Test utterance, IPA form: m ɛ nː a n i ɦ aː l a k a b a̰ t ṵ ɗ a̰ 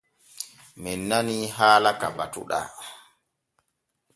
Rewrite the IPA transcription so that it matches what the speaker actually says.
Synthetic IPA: m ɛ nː a n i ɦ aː l a k a b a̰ t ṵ ɗ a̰